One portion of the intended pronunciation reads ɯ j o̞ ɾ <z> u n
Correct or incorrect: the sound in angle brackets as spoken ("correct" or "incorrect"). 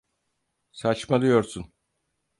incorrect